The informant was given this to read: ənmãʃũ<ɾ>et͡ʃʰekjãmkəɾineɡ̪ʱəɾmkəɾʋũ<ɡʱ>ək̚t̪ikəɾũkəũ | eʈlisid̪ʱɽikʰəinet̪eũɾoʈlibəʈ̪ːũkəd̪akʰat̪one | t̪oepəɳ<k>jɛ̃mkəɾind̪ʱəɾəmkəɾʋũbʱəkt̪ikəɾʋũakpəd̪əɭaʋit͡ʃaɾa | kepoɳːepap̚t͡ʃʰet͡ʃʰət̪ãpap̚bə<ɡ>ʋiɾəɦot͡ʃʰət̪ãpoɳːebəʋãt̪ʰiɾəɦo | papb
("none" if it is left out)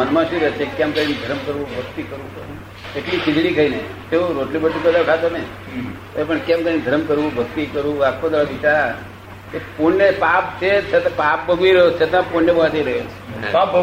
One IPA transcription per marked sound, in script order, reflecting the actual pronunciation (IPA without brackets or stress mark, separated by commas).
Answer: ɾ, bʱ, k, ɡ